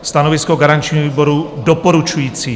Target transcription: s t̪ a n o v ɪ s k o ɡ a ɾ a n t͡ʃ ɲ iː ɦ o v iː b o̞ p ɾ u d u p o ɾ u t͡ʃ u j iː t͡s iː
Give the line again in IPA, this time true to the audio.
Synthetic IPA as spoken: s t̪ a n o v ɪ s k o ɡ a ɾ a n t͡ʃ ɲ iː ɦ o v iː b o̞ ɾ u d o p o ɾ u t͡ʃ u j iː t͡s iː